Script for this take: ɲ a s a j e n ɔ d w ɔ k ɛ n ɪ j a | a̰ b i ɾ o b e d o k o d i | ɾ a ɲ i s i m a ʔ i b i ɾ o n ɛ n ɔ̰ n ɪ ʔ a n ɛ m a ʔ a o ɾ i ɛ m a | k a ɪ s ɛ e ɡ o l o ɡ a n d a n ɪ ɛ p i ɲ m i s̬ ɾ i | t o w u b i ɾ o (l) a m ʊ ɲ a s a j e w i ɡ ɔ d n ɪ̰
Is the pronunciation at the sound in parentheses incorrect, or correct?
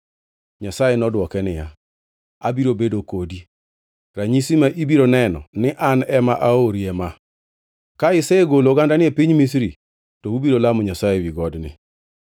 correct